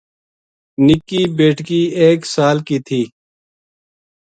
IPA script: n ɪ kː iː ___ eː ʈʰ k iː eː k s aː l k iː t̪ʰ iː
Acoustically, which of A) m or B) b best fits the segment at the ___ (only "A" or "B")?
B